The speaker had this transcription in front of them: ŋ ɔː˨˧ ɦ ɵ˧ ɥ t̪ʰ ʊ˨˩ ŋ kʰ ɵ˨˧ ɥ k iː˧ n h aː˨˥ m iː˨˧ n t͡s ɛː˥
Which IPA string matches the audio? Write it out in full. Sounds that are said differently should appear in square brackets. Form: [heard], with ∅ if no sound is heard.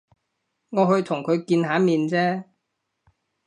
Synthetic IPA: ŋ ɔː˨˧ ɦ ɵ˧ ɥ t̪ʰ ʊ˨˩ ŋ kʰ ɵ˨˧ ɥ k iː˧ n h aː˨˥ m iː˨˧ n t͡s ɛː˥